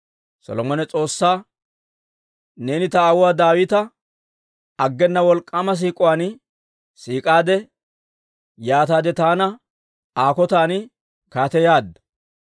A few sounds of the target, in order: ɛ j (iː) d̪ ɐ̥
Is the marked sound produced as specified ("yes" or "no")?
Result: no